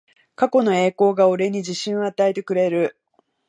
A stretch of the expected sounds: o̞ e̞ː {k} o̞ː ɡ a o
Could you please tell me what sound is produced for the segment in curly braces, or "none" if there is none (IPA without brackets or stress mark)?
k